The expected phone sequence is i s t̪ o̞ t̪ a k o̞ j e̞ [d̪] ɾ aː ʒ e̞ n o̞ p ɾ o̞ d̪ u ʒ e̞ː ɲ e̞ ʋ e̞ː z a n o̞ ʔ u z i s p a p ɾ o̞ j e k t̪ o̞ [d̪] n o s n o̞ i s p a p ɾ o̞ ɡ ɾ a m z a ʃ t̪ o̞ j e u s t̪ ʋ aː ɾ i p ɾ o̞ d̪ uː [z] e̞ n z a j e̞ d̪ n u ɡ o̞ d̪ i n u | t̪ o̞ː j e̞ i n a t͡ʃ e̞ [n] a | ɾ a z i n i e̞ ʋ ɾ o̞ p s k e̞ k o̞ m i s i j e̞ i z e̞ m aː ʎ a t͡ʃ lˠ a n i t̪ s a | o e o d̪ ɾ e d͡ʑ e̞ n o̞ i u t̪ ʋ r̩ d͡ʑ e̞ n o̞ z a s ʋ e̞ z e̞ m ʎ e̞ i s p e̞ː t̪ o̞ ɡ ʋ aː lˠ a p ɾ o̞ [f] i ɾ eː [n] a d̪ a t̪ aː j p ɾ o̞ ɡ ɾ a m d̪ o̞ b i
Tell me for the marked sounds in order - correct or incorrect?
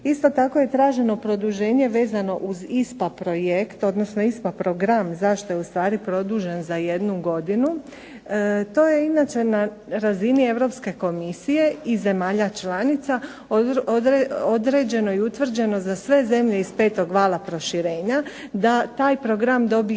incorrect: t̪, correct, incorrect: ʒ, correct, incorrect: ʃ, incorrect: ɲ

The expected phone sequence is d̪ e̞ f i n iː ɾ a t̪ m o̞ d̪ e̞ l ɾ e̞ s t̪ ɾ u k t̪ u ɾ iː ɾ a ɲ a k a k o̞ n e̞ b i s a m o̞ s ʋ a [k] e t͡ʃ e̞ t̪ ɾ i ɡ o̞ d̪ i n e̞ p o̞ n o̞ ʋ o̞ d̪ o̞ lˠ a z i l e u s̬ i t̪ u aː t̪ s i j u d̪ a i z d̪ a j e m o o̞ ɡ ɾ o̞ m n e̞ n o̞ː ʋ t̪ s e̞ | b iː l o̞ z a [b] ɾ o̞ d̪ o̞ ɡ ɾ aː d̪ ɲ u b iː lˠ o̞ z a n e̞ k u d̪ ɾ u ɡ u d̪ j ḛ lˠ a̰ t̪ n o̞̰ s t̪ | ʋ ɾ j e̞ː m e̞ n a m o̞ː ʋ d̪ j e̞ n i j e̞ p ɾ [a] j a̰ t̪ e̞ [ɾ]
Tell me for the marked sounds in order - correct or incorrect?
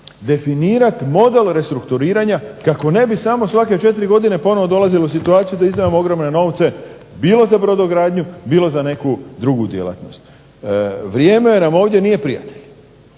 correct, correct, incorrect: i, incorrect: ʎ

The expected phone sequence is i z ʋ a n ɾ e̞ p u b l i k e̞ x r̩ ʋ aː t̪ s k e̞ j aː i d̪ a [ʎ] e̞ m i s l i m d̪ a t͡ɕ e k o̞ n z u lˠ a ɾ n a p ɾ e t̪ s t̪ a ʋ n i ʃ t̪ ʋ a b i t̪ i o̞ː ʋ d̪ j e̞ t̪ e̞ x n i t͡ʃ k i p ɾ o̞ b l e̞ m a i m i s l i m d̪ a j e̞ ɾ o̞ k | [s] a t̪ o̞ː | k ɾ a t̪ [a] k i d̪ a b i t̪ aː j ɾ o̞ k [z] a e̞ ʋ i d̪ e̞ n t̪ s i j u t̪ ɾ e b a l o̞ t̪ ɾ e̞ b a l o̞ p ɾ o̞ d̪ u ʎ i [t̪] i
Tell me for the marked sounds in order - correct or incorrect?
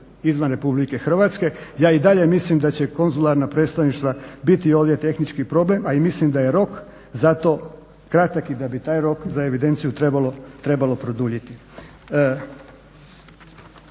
correct, incorrect: z, correct, correct, correct

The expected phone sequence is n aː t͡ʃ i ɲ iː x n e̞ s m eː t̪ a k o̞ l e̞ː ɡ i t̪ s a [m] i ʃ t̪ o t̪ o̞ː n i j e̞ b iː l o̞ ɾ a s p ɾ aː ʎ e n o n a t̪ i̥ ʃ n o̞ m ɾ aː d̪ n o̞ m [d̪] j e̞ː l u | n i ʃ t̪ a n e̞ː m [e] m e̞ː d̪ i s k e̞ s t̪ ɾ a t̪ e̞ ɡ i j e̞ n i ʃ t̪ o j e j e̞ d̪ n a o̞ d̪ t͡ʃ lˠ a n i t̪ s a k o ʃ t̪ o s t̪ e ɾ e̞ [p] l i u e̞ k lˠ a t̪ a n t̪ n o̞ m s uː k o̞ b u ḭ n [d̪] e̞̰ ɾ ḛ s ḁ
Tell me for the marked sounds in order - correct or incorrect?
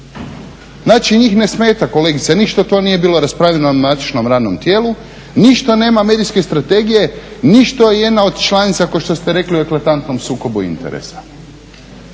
incorrect: n, incorrect: t̪, incorrect: a, incorrect: k, incorrect: t̪

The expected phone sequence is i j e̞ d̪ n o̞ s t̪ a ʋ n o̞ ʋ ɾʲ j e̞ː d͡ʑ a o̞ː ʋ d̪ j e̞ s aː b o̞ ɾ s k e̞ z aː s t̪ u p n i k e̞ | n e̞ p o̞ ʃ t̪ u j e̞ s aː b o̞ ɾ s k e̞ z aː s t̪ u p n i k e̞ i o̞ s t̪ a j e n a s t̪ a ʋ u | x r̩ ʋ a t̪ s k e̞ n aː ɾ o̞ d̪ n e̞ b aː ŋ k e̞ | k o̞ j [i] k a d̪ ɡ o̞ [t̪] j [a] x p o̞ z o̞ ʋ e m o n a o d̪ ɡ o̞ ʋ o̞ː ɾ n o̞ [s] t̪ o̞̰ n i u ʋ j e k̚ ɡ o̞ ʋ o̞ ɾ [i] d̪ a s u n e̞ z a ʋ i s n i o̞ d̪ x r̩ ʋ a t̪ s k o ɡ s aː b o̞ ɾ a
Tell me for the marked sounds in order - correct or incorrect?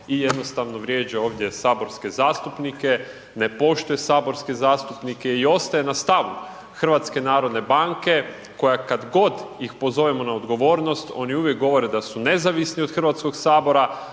incorrect: a, incorrect: d̪, incorrect: i, correct, incorrect: e

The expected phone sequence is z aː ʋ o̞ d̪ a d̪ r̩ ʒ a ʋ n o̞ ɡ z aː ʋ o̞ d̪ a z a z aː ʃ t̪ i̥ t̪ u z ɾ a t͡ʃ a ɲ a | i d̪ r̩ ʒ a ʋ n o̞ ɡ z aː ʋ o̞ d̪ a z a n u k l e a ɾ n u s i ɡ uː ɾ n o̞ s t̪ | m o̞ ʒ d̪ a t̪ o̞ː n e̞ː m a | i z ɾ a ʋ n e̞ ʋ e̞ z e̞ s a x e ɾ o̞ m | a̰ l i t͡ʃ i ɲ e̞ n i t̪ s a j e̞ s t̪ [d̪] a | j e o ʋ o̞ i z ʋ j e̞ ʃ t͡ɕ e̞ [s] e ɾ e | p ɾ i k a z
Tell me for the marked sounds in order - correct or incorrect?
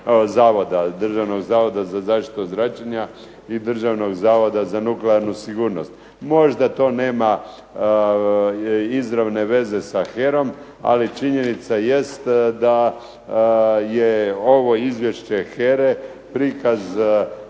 correct, incorrect: x

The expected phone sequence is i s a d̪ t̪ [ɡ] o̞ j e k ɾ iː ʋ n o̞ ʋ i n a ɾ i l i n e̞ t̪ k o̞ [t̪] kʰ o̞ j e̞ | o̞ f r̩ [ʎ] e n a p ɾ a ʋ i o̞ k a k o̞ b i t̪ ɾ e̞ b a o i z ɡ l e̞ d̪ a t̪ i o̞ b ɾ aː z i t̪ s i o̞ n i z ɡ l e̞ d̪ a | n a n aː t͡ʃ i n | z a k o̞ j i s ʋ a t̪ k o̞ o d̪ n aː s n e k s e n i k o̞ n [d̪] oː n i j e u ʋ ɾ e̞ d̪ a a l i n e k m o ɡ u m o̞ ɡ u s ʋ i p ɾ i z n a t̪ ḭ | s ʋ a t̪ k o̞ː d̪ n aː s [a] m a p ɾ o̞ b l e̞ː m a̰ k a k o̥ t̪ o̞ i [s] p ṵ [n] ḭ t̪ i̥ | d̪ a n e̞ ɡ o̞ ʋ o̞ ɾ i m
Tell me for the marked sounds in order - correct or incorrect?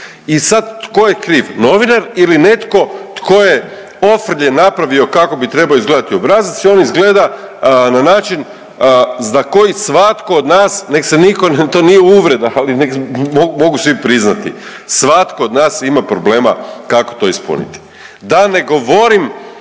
incorrect: k, correct, correct, incorrect: t̪, incorrect: i, correct, correct

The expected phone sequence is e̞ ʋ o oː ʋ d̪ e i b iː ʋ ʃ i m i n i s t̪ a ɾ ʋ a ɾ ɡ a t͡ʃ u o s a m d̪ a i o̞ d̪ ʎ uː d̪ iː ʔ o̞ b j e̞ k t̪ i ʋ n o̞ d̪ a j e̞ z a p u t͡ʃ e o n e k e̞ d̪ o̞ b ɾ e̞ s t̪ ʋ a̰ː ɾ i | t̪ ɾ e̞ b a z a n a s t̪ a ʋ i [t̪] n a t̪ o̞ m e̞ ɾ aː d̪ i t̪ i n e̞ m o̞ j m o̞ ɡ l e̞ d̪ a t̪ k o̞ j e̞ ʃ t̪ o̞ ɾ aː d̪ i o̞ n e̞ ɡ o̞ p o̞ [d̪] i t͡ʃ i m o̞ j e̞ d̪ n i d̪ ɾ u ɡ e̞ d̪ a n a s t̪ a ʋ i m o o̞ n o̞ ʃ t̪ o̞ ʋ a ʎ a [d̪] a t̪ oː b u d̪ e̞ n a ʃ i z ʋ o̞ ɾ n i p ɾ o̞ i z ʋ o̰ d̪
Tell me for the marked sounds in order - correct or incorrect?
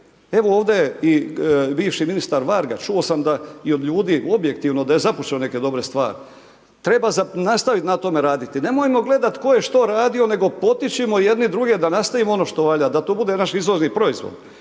correct, incorrect: t̪, correct

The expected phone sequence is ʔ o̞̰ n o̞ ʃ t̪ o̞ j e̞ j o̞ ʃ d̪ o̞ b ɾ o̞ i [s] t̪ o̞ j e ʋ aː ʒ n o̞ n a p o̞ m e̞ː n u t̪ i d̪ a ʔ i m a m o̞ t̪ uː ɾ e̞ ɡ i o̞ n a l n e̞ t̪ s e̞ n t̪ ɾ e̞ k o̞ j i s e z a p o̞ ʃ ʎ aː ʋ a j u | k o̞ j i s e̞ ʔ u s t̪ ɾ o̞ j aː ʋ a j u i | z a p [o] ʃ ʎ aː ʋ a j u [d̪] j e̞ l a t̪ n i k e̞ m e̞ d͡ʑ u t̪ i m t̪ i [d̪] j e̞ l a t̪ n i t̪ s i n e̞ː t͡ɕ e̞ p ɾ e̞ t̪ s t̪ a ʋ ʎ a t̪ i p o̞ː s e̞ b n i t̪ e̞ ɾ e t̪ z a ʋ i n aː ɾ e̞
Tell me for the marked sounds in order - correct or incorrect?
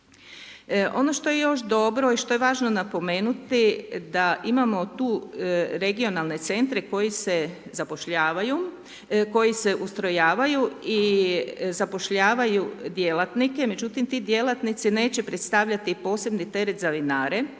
incorrect: ʃ, correct, correct, correct

